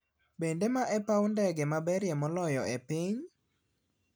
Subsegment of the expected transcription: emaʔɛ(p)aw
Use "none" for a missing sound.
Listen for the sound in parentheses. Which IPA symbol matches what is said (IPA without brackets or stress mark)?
p